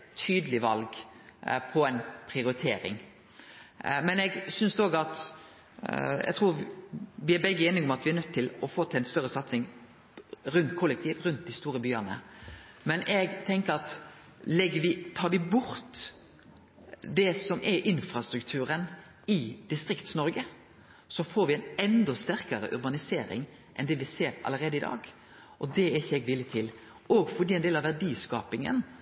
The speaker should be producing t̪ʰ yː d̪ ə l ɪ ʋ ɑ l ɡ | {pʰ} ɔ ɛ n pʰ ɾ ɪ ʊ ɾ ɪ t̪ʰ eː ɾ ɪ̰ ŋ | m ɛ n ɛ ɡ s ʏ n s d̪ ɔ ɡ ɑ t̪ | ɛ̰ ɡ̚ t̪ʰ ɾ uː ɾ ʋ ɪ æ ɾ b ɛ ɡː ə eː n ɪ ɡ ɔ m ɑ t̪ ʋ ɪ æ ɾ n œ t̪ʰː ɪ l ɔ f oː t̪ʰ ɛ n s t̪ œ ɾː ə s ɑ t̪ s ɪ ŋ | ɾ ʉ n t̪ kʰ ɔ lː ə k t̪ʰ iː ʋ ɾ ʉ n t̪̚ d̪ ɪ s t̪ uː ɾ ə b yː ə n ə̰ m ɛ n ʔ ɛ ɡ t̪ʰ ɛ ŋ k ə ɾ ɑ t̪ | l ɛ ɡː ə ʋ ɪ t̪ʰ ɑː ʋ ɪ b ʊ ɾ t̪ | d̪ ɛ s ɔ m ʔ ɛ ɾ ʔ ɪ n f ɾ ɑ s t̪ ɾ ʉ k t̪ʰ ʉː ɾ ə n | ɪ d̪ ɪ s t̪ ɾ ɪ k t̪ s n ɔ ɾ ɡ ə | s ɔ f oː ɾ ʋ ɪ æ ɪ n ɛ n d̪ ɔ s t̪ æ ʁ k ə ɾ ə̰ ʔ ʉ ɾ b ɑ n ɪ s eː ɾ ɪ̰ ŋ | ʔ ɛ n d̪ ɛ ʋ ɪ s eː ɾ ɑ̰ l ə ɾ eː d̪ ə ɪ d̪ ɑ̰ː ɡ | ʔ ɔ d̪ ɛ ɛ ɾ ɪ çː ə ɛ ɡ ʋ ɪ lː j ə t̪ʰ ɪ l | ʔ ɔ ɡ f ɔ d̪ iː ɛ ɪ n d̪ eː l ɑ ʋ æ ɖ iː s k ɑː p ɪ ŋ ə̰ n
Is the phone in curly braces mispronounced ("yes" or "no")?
no